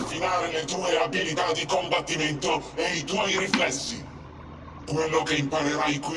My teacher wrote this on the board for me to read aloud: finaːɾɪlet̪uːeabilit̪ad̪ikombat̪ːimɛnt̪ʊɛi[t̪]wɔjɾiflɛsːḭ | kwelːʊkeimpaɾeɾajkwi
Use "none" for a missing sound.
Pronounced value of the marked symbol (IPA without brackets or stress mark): t̪